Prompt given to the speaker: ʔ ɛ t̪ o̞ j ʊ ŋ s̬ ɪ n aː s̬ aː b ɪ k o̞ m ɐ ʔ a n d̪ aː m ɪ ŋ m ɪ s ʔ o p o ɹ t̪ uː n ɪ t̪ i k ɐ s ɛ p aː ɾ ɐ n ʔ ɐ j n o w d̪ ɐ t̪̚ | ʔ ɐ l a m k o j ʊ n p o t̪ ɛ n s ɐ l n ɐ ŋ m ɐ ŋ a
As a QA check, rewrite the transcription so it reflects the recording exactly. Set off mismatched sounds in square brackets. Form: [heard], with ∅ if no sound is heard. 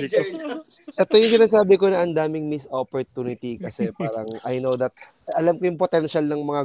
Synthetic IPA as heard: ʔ ɛ t̪ o̞ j ʊ ŋ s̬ ɪ n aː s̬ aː b ɪ k o̞ [n] ɐ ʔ [ɐ] n d̪ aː m ɪ ŋ m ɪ s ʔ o p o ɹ t̪ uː n ɪ t̪ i k ɐ s ɛ p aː ɾ ɐ [ŋ] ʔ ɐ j n o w d̪ ɐ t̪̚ | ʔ ɐ l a m k o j ʊ [ŋ] p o t̪ ɛ n [ʃ] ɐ l n ɐ ŋ m ɐ ŋ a